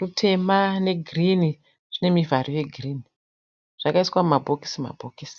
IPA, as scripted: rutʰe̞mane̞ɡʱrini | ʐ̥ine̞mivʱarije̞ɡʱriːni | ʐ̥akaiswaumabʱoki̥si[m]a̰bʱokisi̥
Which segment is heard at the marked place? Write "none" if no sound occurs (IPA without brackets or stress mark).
m